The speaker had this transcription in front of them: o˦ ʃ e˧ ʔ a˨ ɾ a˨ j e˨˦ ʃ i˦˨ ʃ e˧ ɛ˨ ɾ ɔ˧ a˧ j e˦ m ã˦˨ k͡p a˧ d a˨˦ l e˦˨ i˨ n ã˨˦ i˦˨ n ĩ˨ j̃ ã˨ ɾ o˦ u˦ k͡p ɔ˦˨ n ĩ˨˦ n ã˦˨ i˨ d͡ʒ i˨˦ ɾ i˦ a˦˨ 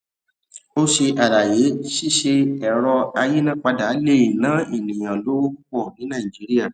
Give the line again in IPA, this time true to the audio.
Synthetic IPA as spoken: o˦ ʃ e˧ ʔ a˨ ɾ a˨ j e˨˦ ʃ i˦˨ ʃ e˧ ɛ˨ ɾ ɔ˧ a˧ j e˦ n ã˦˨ k͡p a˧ d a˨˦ l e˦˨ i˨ n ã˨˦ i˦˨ n ĩ˨ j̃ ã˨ l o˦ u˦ k͡p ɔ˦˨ n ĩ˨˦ n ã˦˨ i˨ d͡ʒ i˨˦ ɾ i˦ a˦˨